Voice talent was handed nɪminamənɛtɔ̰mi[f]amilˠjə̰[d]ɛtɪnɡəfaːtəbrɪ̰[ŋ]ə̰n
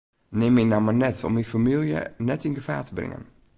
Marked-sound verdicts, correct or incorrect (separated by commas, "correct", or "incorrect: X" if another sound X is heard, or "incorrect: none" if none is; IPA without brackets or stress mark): correct, incorrect: n, correct